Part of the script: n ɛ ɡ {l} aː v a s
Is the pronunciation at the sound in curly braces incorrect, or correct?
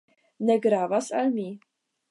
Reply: incorrect